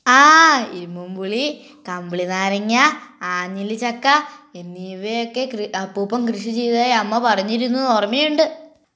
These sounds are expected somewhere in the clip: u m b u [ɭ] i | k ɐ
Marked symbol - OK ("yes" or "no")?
yes